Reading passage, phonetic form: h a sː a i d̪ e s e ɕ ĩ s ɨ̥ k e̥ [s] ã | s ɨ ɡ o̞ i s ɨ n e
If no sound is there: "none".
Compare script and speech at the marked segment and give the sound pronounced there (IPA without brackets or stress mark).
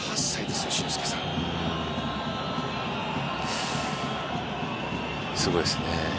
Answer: s